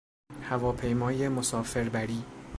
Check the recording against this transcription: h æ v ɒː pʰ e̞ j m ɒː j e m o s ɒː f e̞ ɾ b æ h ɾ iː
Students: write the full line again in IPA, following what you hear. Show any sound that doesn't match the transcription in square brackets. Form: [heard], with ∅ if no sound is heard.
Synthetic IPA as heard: h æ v ɒː pʰ e̞ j m ɒː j e m o s ɒː f e̞ ɾ b æ [∅] ɾ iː